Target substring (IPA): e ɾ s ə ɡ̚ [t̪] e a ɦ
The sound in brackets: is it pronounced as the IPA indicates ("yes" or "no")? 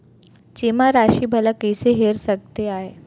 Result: yes